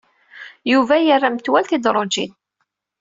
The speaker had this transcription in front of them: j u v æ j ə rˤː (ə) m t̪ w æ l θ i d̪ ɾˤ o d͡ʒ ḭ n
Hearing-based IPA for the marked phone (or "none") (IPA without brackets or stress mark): a